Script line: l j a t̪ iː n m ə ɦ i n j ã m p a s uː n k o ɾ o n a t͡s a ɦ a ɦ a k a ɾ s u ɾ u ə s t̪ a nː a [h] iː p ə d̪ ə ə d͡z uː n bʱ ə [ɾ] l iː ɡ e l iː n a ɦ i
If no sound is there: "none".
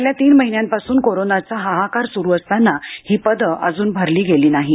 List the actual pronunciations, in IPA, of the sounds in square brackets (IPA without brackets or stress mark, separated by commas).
h, ɾ